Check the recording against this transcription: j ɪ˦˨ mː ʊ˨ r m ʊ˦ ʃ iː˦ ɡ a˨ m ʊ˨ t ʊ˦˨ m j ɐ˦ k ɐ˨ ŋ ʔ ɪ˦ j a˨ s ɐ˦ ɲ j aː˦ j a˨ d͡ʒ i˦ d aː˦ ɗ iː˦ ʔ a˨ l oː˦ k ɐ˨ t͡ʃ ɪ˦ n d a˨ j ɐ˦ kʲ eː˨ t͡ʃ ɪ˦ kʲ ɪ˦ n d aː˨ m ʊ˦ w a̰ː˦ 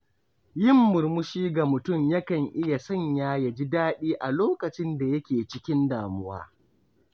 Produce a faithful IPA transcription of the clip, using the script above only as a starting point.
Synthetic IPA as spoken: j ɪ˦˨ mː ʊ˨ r m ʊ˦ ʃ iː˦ ɡ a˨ m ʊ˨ t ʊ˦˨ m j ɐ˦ k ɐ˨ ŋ ʔ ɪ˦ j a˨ s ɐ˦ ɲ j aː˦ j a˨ d͡ʒ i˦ d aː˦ ɗ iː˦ ʔ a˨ l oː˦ k ɐ˨ t͡ʃ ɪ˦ n d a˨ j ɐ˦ kʲ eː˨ t͡ʃ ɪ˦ kʲ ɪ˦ n d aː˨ m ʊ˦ w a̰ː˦